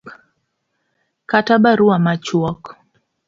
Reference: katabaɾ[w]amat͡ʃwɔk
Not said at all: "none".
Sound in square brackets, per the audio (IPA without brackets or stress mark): u